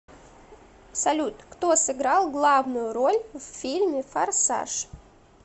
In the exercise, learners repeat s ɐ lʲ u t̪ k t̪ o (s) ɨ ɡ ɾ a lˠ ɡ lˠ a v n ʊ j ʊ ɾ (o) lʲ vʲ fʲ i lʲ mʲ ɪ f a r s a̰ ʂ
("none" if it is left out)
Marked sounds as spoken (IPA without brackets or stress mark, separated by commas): s, o